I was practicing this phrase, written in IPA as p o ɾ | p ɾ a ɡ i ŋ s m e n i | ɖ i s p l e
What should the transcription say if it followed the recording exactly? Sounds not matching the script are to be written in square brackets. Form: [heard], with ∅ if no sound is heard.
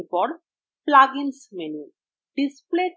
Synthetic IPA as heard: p [ɔ] ɾ | p [l] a ɡ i [n] s m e n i | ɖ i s p l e